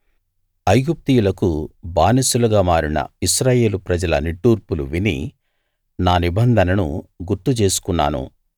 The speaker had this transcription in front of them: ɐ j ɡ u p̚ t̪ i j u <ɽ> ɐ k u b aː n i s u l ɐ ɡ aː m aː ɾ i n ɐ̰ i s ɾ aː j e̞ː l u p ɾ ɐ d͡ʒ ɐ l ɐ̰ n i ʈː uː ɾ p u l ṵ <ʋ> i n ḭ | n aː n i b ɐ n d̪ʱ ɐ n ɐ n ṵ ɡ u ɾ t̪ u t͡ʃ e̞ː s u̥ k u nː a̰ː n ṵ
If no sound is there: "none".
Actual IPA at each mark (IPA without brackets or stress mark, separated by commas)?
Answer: l, ʋ